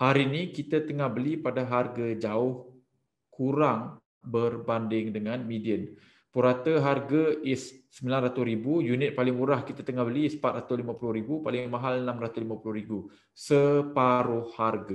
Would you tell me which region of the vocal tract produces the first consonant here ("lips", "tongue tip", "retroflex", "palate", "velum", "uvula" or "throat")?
throat